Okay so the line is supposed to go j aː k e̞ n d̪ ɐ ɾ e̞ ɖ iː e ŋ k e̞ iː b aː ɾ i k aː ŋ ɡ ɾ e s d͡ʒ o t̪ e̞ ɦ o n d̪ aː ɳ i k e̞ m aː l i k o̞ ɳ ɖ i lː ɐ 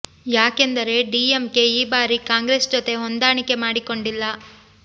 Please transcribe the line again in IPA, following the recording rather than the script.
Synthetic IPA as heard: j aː k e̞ n d̪ ɐ ɾ e̞ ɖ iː e m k e̞ iː b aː ɾ i k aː ŋ ɡ ɾ e s d͡ʒ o t̪ e̞ ɦ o n d̪ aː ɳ i k e̞ m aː ɽ i k o̞ ɳ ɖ i lː ɐ